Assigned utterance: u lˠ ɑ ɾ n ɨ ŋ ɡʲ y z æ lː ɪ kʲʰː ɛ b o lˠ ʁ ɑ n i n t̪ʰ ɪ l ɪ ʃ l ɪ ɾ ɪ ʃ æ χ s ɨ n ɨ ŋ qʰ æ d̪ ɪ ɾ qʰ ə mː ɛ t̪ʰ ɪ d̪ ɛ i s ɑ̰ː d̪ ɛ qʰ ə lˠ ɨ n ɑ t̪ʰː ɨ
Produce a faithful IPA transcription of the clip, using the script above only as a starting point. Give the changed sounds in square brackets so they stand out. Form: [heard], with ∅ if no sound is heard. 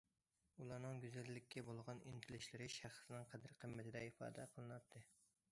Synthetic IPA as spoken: u lˠ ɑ ɾ n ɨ ŋ ɡʲ y z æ lː ɪ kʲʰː ɛ b o lˠ ʁ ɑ n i n t̪ʰ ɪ l ɪ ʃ l ɪ ɾ ɪ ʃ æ χ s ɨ n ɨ ŋ qʰ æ d̪ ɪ ɾ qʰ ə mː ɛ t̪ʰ ɪ d̪ ɛ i [f] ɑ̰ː d̪ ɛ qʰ ə lˠ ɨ n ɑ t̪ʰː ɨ